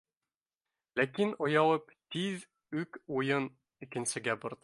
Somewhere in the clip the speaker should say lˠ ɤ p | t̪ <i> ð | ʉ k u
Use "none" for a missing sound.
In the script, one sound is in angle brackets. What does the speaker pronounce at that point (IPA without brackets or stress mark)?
i